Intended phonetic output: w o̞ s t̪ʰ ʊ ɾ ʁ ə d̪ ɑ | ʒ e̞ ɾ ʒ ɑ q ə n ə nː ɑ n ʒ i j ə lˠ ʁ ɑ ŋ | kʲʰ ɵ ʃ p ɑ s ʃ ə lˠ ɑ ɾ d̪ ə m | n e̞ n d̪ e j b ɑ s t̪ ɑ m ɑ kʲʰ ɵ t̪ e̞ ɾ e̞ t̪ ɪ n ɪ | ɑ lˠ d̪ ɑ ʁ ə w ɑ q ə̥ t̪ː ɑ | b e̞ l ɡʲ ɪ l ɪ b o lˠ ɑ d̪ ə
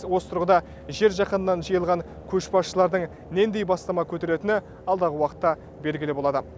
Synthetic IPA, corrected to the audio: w o̞ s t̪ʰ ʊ ɾ ʁ ə d̪ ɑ | ʒ e̞ ɾ ʒ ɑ q ə n ə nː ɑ n ʒ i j ə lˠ ʁ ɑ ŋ | kʲʰ ɵ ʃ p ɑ s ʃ ə lˠ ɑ ɾ d̪ ə ɴ | n e̞ n d̪ e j b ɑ s t̪ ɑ m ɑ kʲʰ ɵ t̪ e̞ ɾ e̞ t̪ ɪ n ɪ | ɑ lˠ d̪ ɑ ʁ ə w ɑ q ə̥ t̪ː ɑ | b e̞ l ɡʲ ɪ l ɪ b o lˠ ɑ d̪ ə